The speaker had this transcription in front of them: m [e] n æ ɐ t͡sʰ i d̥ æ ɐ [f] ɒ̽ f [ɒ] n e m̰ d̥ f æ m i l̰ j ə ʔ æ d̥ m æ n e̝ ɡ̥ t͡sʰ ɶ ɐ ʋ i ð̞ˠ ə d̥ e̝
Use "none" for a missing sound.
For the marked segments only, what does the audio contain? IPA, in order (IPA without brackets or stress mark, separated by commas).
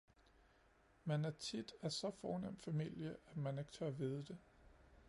æ, s, ɒː